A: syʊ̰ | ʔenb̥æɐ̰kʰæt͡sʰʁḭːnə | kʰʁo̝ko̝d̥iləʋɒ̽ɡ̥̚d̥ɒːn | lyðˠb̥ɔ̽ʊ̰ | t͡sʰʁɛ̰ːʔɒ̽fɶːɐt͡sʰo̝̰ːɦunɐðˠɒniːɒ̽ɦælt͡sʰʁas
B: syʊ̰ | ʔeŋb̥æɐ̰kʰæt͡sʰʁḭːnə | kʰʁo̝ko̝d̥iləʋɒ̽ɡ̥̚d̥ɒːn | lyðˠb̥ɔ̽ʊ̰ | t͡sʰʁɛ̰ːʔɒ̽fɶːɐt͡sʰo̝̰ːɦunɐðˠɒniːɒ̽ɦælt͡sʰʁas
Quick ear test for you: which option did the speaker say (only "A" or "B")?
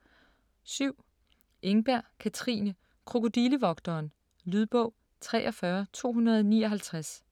B